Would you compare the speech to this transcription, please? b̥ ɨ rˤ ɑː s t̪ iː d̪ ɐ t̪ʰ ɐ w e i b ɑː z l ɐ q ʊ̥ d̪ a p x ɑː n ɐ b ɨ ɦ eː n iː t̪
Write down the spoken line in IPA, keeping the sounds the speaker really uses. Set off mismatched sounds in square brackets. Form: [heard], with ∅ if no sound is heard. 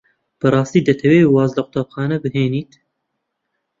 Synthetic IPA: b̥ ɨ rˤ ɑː s t̪ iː d̪ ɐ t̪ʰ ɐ w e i [w] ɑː z l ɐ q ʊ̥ [t̪] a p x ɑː n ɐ b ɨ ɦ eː n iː t̪